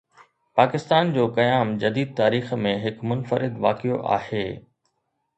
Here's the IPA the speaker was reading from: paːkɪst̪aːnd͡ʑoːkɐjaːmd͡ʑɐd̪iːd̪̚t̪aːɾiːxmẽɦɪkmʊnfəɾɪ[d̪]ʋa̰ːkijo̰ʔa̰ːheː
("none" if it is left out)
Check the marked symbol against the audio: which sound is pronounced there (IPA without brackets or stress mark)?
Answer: d̪